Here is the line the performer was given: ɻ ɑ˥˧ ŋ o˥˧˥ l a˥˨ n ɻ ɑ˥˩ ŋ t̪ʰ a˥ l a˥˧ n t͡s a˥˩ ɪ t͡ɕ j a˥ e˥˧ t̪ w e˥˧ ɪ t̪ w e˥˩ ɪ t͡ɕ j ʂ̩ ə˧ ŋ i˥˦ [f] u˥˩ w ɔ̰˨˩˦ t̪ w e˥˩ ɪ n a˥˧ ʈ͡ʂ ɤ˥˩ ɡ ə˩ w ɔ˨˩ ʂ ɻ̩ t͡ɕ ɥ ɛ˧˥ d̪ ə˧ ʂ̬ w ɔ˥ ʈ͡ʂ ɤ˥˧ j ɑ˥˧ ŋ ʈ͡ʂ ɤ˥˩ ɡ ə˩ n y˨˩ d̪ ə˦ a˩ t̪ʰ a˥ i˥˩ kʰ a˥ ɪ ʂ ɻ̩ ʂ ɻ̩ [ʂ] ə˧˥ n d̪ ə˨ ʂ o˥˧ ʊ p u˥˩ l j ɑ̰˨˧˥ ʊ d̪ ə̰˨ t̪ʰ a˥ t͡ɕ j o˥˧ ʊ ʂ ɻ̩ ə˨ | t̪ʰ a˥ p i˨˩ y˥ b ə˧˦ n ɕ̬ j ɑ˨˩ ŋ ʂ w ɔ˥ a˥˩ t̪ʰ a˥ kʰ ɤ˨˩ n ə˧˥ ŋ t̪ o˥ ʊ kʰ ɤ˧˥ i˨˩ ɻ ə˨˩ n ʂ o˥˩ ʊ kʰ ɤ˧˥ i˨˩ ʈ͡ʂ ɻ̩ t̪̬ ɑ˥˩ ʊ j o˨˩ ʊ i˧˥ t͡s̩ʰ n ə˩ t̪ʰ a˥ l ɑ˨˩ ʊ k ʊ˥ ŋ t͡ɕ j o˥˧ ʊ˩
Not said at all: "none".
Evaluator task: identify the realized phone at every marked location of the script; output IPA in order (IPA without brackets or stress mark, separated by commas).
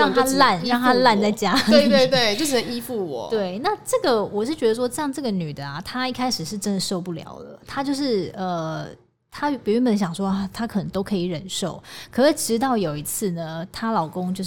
f, ʈ͡ʂ